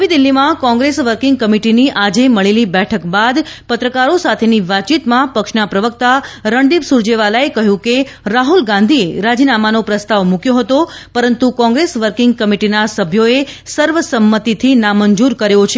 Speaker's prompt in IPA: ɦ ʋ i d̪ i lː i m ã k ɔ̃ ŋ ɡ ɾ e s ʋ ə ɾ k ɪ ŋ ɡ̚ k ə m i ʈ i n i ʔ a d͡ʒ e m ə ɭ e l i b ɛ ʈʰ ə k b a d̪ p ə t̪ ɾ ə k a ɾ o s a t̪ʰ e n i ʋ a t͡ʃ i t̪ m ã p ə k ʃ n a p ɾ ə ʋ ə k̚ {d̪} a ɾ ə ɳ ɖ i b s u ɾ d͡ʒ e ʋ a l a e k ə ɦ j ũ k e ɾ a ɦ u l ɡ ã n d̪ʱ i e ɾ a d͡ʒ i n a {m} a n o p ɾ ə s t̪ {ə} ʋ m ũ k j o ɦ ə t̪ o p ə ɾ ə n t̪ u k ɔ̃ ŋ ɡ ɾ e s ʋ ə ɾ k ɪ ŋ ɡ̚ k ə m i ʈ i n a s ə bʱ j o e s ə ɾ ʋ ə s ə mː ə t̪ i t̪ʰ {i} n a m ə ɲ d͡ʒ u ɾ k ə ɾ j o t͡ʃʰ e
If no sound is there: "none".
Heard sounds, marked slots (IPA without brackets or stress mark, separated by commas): t̪, m, a, i